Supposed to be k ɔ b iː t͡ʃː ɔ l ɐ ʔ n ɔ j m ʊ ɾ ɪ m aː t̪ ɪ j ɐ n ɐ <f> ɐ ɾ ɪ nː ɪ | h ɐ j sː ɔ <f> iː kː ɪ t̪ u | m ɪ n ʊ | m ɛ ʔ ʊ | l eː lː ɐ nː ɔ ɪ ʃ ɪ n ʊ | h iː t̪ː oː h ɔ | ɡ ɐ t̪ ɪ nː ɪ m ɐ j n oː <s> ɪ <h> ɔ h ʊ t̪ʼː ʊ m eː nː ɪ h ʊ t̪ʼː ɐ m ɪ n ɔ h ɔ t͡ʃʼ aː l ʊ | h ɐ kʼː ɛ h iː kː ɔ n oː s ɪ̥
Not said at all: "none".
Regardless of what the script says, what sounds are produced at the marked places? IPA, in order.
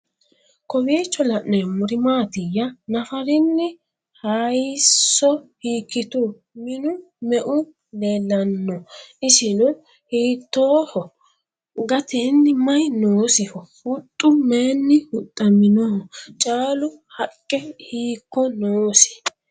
f, h, s, h

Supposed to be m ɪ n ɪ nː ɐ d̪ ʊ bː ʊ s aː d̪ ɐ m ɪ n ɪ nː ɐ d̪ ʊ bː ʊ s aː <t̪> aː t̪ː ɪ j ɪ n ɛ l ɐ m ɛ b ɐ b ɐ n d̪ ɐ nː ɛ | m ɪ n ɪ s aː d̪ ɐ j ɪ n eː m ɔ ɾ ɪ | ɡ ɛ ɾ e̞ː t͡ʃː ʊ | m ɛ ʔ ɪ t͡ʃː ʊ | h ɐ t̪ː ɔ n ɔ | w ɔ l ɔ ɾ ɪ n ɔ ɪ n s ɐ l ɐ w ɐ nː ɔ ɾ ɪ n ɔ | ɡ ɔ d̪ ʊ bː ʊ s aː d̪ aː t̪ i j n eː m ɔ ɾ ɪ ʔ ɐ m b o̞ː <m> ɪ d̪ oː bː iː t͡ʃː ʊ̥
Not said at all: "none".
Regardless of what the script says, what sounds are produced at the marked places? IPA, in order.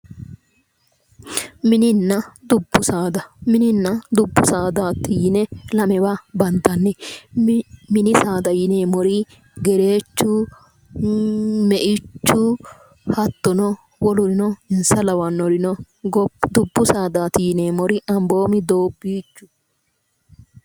d̪, m

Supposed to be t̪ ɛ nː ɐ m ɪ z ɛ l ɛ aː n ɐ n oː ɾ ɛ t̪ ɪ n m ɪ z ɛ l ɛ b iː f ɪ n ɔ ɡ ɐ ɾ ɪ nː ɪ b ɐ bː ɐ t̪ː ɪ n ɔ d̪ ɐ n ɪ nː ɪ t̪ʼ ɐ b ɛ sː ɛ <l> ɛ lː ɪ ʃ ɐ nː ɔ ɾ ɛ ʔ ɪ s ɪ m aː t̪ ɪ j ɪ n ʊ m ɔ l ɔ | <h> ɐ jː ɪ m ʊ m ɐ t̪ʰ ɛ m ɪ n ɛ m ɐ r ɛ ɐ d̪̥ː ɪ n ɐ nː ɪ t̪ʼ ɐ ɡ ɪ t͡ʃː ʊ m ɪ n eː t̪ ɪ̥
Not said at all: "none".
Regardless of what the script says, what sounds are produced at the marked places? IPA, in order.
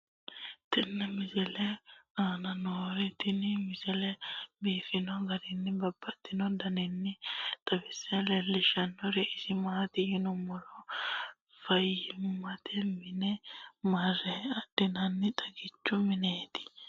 l, f

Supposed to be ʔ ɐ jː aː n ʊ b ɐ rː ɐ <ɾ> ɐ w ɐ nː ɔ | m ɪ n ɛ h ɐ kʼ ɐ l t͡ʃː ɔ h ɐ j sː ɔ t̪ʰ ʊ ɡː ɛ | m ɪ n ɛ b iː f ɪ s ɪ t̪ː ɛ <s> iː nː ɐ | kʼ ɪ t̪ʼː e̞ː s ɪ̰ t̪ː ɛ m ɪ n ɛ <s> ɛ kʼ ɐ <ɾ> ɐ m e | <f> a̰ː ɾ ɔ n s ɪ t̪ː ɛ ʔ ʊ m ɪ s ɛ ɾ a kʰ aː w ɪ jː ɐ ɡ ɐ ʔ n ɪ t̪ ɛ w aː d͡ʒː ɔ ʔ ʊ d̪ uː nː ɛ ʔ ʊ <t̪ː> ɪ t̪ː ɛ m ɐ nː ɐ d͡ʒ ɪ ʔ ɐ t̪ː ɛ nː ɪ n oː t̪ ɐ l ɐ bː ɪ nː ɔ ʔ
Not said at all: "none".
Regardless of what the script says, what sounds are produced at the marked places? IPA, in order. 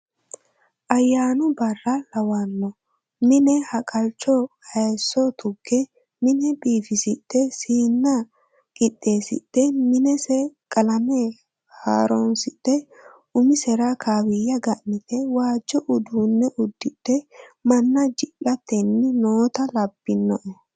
l, s, s, l, h, d̪ː

